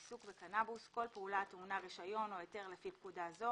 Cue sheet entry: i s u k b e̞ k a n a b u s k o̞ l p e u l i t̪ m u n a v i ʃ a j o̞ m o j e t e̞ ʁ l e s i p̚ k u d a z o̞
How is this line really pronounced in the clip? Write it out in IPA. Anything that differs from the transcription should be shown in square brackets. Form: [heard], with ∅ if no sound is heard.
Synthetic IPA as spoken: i s u k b e̞ k a n a b u s k o̞ l p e u l [a] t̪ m u n a [ʁ] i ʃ a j o̞ [n] o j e t e̞ ʁ l e [f] i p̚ k u d a z o̞